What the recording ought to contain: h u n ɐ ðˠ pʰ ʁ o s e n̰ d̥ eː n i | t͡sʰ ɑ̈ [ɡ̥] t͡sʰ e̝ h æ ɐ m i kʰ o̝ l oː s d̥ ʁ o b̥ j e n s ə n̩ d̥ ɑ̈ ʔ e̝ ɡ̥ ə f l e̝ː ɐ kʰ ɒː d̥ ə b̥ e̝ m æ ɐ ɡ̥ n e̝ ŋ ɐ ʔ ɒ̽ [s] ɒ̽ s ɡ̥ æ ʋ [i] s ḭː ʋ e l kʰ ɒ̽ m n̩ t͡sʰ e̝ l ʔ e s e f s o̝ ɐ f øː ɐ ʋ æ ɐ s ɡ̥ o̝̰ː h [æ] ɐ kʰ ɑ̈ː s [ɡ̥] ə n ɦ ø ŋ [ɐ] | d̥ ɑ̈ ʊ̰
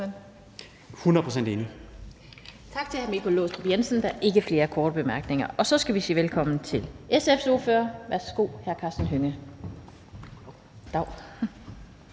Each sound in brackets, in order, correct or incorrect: correct, correct, correct, correct, incorrect, incorrect

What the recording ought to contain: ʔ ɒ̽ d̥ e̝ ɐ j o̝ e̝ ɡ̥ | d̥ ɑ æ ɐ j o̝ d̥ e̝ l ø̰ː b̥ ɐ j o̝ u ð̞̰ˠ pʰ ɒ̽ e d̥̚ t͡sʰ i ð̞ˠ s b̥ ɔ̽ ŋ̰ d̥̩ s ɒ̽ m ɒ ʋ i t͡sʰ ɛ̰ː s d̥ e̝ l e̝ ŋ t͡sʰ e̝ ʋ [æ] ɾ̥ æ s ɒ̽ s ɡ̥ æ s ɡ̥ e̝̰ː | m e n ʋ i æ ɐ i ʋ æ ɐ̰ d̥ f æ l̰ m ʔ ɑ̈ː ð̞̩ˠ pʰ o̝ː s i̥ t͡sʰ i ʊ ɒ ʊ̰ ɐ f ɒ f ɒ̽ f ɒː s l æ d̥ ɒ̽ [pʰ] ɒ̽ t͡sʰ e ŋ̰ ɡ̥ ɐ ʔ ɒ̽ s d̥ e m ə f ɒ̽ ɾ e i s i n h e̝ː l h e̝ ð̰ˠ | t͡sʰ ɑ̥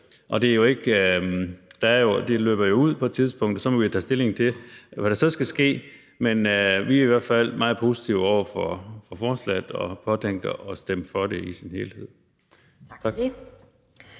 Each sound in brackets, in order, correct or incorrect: correct, correct

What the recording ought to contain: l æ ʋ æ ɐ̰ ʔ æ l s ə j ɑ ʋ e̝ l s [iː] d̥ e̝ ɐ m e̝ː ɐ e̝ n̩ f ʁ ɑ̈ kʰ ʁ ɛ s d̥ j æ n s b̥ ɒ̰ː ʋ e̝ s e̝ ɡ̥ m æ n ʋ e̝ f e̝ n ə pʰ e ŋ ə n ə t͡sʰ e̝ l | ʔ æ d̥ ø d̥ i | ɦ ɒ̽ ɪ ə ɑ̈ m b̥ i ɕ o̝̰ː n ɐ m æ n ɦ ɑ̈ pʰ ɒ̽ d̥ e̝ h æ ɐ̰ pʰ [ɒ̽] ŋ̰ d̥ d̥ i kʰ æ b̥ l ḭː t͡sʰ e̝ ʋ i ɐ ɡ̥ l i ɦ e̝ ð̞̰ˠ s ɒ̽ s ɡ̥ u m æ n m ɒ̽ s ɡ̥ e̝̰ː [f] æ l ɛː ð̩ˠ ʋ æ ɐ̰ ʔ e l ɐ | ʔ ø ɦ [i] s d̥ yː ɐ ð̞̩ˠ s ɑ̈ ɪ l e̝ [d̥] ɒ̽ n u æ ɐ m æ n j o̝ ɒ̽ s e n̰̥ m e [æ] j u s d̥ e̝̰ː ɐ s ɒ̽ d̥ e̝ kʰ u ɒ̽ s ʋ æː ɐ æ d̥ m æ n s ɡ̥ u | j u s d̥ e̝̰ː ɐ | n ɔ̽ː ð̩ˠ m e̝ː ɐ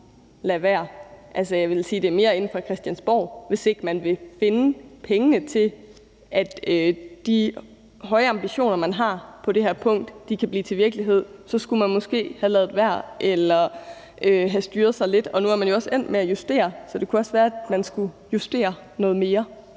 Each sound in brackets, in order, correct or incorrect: correct, incorrect, incorrect, incorrect, correct, correct

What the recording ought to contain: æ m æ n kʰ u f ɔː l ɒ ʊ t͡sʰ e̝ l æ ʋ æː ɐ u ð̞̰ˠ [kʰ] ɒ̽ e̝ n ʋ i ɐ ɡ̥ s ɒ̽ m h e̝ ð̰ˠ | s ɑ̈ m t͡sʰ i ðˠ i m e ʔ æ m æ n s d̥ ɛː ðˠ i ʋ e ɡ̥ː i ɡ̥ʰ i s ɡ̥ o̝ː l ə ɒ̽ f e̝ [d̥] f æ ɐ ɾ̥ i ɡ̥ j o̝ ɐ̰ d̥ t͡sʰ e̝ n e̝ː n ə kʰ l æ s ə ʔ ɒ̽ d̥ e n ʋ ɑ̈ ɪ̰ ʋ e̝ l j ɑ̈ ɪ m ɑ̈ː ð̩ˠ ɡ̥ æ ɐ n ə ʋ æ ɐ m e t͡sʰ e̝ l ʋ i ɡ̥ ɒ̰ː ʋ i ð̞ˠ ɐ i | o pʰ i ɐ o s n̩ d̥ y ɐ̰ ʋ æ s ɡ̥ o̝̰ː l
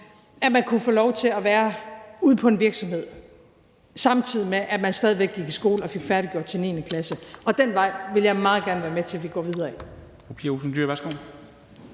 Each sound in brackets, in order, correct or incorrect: incorrect, incorrect

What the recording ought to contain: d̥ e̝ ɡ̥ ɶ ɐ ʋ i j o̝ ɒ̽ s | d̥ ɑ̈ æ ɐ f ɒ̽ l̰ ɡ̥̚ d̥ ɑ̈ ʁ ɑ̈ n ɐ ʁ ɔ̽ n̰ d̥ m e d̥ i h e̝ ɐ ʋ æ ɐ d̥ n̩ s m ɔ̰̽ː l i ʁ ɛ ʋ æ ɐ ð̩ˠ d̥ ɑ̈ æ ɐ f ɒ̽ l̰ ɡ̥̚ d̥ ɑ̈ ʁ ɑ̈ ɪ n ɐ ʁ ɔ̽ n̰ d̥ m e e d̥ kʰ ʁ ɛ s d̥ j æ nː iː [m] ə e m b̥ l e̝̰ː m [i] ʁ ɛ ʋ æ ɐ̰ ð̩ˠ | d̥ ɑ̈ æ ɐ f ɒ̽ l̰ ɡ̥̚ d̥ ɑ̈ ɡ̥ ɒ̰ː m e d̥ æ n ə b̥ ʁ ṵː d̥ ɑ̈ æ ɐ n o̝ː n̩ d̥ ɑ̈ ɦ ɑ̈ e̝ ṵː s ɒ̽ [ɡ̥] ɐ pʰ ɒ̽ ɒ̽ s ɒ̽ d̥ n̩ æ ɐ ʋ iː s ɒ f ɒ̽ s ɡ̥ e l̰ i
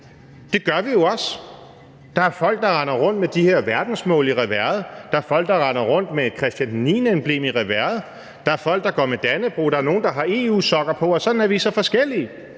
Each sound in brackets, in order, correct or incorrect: incorrect, correct, correct

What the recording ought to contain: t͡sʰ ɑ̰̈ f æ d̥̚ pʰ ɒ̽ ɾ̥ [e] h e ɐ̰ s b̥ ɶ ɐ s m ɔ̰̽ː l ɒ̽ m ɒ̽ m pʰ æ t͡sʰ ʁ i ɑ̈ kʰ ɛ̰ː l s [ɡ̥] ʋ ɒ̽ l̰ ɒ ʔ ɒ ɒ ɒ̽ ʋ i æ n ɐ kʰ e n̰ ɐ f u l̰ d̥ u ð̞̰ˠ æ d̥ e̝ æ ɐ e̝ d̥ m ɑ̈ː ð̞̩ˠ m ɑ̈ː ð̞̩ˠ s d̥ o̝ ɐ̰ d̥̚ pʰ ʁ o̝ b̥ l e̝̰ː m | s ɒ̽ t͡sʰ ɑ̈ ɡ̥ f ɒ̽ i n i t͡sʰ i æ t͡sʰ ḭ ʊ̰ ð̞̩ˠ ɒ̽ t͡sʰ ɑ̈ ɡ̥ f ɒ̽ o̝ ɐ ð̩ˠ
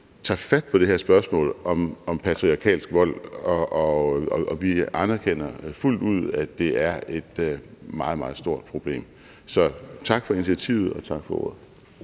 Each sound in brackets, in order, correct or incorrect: correct, correct

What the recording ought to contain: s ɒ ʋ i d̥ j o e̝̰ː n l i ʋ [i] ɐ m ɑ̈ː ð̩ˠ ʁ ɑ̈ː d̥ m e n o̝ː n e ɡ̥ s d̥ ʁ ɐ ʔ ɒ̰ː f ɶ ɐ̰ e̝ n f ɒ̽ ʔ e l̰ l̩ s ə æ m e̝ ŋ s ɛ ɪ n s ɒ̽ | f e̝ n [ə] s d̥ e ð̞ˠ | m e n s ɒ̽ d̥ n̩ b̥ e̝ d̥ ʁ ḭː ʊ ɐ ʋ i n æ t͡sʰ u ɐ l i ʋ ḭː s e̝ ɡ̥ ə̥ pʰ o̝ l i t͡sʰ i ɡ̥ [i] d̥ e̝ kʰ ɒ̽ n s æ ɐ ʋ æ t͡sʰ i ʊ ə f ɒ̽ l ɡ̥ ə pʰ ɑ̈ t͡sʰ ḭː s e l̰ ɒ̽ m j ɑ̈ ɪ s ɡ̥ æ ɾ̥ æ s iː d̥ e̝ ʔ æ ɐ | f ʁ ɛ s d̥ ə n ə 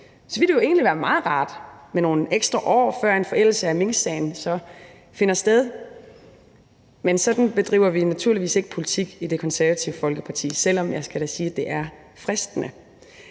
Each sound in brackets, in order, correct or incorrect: incorrect, incorrect, correct

